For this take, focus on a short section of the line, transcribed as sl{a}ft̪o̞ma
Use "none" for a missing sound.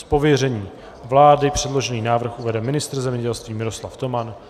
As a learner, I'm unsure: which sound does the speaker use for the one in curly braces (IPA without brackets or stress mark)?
a